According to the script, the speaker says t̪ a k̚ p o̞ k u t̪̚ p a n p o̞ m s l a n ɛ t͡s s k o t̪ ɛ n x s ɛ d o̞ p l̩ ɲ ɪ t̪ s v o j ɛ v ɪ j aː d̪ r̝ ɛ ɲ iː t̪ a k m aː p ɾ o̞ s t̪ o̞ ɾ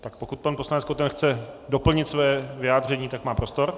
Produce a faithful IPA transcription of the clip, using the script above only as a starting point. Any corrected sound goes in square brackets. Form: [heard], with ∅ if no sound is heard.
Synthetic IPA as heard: t̪ a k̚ p o̞ k u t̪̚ p a n p o̞ [∅] s l a n ɛ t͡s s k o t̪ ɛ n x [t͡s] ɛ d o̞ p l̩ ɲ ɪ t̪ s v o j ɛ v ɪ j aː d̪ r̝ ɛ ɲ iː t̪ a k m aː p ɾ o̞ s t̪ o̞ ɾ